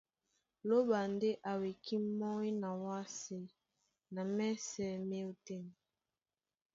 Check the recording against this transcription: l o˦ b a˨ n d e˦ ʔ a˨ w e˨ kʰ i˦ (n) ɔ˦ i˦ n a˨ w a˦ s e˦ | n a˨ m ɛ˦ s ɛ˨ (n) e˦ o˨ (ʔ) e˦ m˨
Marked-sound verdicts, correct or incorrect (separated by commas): incorrect, incorrect, incorrect